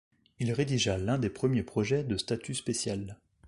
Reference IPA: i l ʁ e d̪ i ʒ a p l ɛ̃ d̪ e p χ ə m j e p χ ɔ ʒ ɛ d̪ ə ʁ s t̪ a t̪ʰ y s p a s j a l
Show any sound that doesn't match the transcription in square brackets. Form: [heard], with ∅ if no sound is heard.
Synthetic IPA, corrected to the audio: i l ʁ e d̪ i ʒ a [∅] l ɛ̃ d̪ e p χ ə m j e p χ ɔ ʒ ɛ d̪ ə [∅] s t̪ a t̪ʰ y s p [e] s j a l